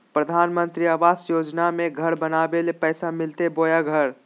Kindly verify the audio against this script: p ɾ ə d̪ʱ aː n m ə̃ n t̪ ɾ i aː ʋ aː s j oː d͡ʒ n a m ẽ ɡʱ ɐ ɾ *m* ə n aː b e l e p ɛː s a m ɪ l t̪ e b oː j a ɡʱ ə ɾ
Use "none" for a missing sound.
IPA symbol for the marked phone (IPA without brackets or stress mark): b